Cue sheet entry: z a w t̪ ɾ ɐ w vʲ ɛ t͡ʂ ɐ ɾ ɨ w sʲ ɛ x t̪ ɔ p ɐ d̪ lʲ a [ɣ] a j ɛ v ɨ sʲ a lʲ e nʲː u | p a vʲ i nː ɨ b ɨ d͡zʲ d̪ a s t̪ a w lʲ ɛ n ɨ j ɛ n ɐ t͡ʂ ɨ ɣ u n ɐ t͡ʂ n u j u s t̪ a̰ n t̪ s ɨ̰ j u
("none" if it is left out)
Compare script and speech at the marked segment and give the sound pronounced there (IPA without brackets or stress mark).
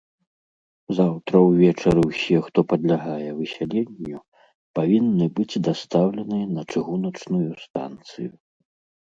ɣ